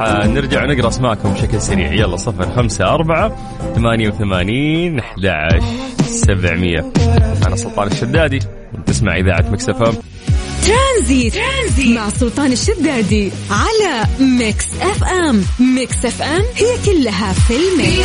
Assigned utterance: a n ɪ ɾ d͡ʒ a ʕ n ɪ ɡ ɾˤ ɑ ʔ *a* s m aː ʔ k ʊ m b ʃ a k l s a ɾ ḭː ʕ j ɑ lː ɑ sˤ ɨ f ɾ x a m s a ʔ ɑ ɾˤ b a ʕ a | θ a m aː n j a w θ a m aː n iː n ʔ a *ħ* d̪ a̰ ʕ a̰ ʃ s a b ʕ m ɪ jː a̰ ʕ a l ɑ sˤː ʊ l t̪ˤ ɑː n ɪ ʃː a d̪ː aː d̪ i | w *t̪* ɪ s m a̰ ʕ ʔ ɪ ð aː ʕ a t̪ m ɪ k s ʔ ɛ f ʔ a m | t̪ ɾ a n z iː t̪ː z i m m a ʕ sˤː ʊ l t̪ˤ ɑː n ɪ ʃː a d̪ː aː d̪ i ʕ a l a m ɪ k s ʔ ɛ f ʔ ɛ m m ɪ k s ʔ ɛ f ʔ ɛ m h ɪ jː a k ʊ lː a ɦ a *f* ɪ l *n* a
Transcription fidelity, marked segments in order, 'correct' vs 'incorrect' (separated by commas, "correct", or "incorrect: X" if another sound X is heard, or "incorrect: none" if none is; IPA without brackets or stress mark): correct, correct, correct, correct, incorrect: m